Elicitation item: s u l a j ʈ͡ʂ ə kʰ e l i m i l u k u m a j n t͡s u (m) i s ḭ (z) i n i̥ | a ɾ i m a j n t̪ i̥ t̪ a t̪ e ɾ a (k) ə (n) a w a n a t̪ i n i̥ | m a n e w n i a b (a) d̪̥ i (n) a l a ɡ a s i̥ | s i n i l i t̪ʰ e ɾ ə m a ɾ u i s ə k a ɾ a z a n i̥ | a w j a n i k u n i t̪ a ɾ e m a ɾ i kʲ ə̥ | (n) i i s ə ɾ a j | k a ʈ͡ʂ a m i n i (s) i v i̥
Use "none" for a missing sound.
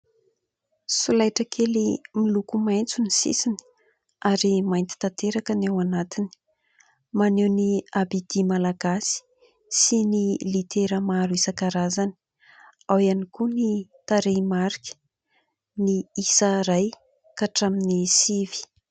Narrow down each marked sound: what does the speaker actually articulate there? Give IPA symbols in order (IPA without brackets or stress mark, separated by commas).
n, s, k, n, i, m, n, s